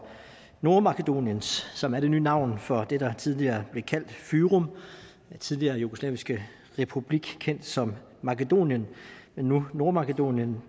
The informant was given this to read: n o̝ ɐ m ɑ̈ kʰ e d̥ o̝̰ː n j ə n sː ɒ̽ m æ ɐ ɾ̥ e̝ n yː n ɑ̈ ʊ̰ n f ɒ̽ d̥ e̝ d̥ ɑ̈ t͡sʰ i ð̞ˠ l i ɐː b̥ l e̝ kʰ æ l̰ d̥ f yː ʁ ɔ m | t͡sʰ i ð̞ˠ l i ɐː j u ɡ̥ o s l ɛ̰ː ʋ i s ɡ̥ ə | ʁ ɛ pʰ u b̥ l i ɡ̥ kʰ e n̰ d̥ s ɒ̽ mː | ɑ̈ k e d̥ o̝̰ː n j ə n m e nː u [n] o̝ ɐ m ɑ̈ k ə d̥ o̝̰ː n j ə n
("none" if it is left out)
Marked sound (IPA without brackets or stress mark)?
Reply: n